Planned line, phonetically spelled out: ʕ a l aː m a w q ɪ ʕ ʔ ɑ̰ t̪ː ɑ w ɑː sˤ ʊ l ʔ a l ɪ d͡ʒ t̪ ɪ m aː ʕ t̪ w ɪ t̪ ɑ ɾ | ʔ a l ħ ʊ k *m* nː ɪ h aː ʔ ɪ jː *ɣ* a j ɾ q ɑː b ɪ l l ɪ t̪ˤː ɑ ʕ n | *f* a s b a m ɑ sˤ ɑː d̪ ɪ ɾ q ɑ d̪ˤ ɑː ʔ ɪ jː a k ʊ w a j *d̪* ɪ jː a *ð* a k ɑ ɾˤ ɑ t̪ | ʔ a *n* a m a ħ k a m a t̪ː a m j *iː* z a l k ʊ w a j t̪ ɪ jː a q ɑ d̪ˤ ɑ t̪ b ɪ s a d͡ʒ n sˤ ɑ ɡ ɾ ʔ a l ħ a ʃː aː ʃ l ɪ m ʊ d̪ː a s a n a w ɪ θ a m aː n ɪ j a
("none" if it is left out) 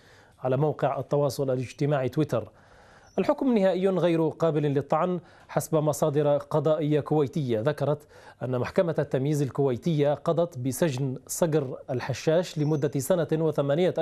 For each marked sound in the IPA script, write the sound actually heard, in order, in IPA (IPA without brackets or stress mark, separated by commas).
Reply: m, ɣ, ħ, t̪, ð, nː, iː